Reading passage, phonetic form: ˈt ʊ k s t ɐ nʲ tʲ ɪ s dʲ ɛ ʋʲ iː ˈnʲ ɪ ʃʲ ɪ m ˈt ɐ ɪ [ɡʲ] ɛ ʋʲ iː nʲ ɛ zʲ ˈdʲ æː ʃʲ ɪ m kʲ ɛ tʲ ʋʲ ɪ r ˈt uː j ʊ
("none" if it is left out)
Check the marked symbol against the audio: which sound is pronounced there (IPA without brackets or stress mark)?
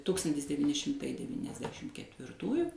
dʲ